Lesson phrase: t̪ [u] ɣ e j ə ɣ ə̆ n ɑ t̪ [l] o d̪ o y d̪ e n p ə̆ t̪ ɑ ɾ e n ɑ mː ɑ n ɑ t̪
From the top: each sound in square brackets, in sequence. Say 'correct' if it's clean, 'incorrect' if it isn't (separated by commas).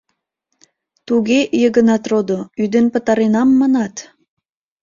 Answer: correct, incorrect